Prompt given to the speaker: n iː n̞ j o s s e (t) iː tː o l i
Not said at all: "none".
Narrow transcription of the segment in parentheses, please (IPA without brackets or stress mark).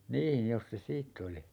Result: s